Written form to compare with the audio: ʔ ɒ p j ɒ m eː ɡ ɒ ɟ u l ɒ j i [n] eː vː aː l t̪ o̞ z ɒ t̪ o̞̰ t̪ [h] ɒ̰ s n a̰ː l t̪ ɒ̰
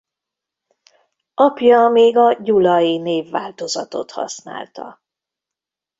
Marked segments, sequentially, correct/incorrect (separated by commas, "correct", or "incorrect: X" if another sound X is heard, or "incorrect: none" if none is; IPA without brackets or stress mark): correct, correct